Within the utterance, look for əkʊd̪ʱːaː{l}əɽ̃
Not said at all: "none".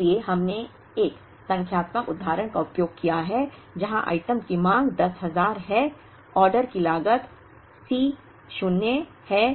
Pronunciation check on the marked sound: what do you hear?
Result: ɾ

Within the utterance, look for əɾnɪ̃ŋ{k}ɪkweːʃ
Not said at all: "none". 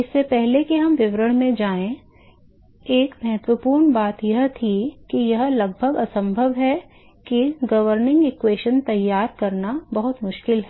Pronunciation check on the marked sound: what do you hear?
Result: ɡ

